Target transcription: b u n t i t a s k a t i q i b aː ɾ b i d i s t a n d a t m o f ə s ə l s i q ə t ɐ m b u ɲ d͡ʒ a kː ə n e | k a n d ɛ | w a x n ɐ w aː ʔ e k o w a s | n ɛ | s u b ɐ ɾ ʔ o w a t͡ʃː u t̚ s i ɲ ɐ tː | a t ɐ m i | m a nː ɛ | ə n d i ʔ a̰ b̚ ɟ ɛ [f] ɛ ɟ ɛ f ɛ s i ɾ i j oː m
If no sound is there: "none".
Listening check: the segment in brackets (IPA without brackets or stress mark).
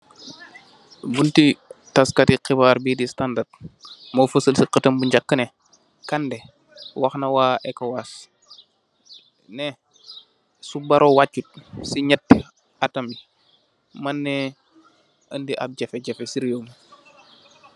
f